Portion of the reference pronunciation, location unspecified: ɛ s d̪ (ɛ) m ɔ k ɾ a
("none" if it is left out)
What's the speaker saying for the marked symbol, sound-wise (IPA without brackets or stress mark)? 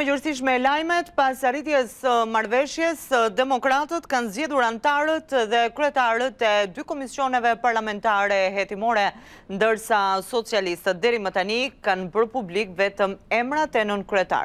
ɛ